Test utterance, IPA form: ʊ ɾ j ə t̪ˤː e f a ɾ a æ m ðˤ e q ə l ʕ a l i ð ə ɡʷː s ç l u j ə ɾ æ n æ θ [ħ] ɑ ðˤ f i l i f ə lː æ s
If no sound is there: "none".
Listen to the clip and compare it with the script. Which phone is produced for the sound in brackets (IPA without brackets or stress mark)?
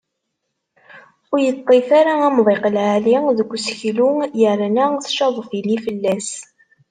ʃ